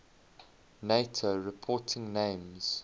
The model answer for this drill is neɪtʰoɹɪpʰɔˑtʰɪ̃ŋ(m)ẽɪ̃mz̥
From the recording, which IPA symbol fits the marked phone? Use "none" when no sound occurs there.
n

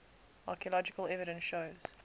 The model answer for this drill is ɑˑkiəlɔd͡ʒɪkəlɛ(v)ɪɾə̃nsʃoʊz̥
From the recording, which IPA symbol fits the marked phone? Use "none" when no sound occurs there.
v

